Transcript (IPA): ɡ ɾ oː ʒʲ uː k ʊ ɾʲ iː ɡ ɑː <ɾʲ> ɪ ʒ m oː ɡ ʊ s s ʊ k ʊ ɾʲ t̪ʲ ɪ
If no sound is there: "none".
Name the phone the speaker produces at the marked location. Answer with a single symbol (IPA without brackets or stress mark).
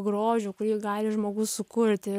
lʲ